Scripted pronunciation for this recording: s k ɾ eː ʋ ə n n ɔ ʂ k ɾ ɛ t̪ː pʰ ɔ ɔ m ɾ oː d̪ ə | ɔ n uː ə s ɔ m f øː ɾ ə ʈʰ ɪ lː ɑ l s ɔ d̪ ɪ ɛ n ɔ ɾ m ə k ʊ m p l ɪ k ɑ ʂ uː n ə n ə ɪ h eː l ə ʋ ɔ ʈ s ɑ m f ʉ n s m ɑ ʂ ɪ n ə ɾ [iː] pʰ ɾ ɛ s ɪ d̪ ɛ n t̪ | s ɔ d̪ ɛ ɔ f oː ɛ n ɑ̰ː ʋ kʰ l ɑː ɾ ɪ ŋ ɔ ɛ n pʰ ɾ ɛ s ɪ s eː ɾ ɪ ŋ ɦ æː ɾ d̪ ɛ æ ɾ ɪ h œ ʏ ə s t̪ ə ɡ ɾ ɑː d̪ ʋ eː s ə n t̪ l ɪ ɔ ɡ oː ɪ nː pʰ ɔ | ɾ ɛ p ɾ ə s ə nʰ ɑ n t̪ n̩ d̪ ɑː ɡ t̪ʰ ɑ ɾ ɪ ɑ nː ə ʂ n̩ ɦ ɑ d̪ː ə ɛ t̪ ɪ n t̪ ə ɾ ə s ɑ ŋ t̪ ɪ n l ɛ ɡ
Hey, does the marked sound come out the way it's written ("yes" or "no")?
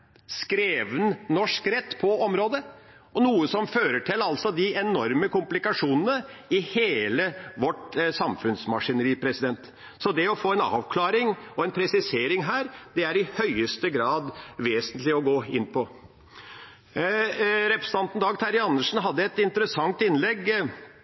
yes